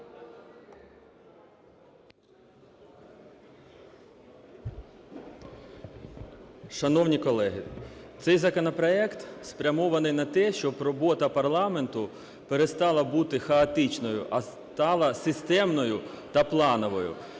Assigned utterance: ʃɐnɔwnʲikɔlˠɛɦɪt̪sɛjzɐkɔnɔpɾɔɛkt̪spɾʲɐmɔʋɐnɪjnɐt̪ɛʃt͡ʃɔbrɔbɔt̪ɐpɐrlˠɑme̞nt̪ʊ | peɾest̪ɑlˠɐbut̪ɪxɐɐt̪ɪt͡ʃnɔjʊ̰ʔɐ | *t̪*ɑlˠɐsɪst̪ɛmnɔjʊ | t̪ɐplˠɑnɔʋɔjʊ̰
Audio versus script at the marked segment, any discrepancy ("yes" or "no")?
no